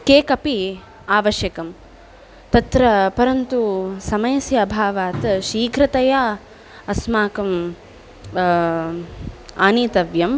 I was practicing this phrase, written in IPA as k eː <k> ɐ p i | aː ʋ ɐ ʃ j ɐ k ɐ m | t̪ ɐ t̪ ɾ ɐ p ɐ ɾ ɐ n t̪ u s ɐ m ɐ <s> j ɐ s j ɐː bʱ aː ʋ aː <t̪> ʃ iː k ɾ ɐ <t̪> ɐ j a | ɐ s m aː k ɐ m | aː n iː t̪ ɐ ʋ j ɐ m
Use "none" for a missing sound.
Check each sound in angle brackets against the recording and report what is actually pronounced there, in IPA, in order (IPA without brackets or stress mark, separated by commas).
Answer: k, none, t̪, t̪